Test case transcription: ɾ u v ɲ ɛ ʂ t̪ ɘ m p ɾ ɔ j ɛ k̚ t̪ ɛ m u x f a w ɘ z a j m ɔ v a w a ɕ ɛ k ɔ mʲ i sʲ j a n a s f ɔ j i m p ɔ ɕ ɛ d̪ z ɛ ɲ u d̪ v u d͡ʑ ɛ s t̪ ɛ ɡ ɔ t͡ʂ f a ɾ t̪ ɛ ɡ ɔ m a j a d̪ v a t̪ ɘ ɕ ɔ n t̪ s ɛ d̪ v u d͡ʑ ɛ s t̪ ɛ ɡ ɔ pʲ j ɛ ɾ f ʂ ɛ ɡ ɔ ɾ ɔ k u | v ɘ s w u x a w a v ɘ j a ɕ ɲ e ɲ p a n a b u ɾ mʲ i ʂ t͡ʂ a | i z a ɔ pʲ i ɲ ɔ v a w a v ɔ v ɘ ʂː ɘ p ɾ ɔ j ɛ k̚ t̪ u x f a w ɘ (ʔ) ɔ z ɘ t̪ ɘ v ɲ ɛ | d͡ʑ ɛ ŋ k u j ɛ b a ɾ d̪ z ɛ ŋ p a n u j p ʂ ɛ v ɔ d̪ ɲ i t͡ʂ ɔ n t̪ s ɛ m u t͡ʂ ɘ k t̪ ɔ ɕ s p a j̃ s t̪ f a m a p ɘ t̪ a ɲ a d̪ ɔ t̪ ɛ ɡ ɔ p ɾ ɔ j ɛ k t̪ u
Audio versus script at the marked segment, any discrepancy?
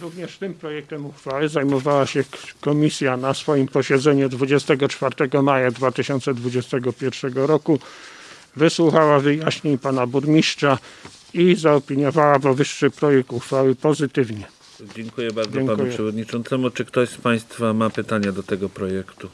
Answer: yes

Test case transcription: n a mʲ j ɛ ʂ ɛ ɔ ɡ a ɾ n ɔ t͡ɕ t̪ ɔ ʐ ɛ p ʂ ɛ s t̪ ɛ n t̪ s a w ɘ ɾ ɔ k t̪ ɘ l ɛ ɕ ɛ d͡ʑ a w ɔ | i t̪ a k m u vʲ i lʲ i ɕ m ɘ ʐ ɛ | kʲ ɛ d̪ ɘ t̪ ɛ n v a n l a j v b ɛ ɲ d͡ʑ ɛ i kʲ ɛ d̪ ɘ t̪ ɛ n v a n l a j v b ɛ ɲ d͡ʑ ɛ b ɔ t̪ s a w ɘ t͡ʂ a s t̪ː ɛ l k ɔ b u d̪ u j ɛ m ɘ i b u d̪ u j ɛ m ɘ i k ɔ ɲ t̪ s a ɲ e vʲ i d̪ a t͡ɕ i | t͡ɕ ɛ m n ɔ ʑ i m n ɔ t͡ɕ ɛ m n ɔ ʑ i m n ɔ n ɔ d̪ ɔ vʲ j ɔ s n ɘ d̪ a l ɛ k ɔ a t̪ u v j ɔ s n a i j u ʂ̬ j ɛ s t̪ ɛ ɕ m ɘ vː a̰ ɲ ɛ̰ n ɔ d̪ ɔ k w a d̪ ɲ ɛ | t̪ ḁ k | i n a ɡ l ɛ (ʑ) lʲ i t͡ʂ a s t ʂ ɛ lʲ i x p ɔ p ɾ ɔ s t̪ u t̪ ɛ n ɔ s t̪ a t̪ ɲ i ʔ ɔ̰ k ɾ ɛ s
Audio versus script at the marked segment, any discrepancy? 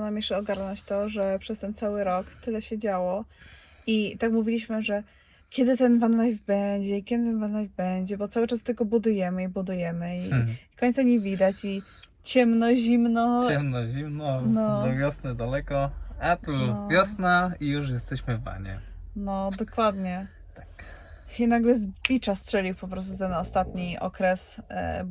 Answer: yes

